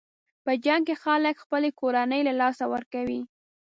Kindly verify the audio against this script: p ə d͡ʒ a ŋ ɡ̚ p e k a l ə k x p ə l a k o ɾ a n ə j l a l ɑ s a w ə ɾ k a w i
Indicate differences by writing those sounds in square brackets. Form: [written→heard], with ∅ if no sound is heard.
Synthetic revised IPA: p ə d͡ʒ a ŋ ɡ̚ [p→k] e [k→x] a l ə k x p ə l [a→e] k o ɾ a n ə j l a l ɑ s a w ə ɾ k a w i